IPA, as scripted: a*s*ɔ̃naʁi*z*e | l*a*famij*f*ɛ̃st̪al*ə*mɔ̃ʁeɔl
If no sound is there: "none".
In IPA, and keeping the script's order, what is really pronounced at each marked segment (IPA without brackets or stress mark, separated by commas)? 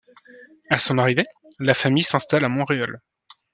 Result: s, v, a, s, a